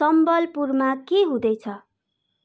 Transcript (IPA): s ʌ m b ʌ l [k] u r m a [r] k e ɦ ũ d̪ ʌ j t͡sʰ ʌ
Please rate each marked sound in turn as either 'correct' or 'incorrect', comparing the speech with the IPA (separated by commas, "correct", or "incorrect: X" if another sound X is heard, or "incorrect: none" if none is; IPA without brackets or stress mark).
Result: incorrect: p, incorrect: none